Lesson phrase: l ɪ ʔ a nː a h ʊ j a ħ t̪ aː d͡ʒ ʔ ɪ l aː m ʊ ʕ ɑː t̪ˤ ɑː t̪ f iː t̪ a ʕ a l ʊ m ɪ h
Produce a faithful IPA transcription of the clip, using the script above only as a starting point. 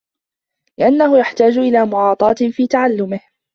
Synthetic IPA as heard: l ɪ ʔ a nː a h ʊ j a ħ t̪ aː d͡ʒ ʔ ɪ l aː m ʊ ʕ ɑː t̪ˤ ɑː t̪ f iː t̪ a ʕ a lː ʊ m ɪ h